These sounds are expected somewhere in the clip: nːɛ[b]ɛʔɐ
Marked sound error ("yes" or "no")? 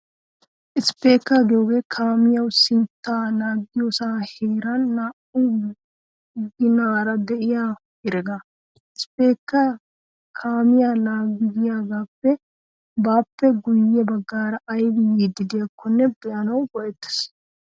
no